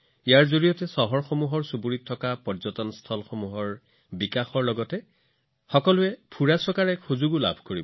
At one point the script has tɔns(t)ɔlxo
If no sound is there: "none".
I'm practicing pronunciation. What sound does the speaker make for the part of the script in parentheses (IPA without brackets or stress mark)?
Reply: tʰ